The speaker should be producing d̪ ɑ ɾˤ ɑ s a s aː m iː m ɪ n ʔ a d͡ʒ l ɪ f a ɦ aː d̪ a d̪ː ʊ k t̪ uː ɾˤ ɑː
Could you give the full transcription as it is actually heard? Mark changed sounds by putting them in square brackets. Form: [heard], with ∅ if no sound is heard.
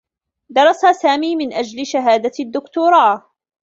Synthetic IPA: d̪ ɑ ɾˤ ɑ s a s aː m iː m ɪ n ʔ a d͡ʒ l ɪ [ʃ] a ɦ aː d̪ a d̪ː ʊ k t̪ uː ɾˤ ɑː